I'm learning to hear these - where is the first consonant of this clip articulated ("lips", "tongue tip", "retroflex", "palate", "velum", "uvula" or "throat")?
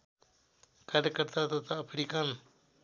velum